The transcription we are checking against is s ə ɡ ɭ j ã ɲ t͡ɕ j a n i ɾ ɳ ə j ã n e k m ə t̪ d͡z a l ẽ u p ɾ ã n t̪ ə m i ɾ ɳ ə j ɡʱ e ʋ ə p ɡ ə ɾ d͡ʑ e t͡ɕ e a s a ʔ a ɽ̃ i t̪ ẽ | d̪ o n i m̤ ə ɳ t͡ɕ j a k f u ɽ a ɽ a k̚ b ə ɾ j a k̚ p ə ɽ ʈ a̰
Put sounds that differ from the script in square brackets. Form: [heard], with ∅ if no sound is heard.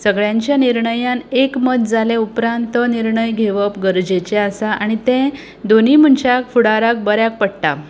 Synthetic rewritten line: s ə ɡ ɭ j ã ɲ t͡ɕ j a n i ɾ ɳ ə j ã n e k m ə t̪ d͡z a l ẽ u p ɾ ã n t̪ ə [n] i ɾ ɳ ə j ɡʱ e ʋ ə p ɡ ə ɾ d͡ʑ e t͡ɕ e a s a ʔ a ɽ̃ i t̪ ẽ | d̪ o n i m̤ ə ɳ t͡ɕ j a k f u ɽ a [ɾ] a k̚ b ə ɾ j a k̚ p ə ɽ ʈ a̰